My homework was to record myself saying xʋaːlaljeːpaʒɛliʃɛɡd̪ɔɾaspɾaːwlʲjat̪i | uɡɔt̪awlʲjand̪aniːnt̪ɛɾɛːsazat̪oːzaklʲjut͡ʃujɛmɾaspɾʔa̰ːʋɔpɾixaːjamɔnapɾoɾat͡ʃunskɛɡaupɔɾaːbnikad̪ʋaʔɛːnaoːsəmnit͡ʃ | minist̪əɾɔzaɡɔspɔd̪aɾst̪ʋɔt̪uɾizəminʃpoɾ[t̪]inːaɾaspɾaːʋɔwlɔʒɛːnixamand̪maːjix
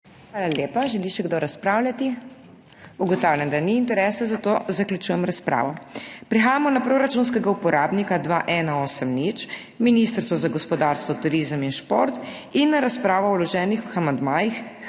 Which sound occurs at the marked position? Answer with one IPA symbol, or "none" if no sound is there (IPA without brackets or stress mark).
t̪